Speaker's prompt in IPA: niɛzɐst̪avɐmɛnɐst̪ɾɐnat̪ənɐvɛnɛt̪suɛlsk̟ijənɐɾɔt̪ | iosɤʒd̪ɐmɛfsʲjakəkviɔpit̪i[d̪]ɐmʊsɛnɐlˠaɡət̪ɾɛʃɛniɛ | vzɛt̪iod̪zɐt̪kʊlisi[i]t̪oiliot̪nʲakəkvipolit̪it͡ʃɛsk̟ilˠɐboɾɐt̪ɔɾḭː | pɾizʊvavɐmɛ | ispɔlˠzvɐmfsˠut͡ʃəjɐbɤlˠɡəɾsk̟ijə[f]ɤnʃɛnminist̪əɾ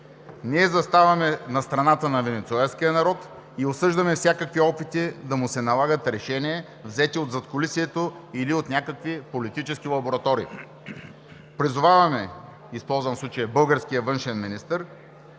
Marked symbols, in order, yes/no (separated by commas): yes, no, no